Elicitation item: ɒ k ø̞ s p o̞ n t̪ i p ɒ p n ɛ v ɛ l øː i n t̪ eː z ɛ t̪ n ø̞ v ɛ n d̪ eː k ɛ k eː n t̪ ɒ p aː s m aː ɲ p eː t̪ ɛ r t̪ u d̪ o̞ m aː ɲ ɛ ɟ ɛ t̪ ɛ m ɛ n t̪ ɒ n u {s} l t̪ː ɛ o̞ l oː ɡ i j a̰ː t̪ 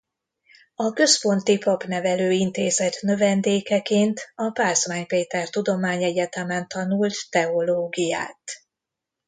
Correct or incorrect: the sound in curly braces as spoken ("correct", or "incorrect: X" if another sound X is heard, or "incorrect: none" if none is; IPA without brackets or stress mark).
incorrect: none